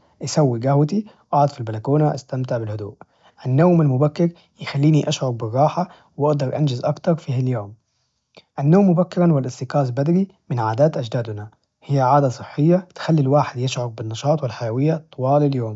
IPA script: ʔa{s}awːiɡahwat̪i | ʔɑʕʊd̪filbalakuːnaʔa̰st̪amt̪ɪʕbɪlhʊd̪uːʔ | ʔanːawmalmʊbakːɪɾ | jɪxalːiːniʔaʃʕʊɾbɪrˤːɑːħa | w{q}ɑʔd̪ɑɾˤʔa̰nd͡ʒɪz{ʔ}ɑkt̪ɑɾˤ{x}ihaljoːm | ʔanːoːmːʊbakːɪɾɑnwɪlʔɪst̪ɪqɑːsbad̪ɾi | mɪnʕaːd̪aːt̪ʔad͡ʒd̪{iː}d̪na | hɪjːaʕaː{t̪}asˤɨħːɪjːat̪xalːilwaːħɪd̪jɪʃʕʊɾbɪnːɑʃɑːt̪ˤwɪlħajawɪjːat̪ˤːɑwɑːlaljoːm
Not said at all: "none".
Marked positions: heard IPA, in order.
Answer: s, ʔ, ʔ, f, aː, d̪

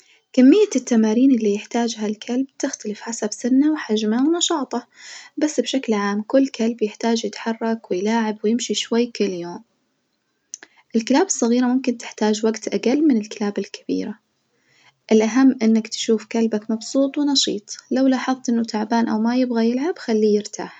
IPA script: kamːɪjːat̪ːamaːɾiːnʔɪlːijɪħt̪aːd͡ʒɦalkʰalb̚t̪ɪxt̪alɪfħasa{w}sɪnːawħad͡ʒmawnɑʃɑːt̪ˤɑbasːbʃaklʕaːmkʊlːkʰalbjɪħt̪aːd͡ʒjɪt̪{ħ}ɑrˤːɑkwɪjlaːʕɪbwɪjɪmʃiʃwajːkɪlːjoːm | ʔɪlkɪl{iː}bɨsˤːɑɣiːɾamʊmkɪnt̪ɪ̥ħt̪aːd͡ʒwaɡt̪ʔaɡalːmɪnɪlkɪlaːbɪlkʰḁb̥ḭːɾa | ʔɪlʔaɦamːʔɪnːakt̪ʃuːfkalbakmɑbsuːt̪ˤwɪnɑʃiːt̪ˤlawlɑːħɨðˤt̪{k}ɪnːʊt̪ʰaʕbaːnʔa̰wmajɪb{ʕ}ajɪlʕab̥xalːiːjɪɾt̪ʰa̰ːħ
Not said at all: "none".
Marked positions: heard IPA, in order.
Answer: b, ħ, aː, ʔ, ɣ

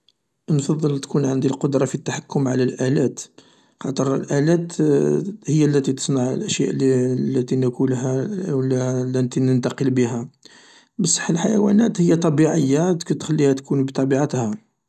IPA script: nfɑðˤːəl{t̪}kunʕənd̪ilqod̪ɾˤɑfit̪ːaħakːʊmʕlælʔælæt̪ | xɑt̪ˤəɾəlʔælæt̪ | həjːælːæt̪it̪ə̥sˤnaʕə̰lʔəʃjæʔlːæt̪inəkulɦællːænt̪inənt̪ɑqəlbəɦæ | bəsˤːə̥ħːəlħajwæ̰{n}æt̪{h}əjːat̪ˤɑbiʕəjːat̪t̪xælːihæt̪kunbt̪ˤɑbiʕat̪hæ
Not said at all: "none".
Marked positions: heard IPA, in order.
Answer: t̪, n, h

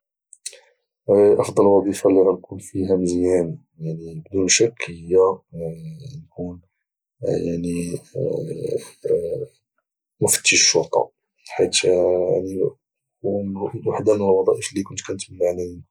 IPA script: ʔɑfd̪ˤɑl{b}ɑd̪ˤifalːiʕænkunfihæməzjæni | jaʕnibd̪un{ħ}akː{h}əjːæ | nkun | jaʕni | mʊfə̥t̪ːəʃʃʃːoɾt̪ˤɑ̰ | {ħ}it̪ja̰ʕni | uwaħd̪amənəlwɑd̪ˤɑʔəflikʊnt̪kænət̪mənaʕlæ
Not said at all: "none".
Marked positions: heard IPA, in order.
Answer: w, ʃ, h, ħ

